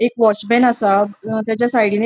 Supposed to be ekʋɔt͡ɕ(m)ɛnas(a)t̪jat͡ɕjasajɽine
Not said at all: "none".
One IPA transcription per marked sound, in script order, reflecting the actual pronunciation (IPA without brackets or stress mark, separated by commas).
b, a